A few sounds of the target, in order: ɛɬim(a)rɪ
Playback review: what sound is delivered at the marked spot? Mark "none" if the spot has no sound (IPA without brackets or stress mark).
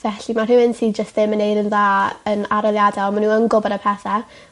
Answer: a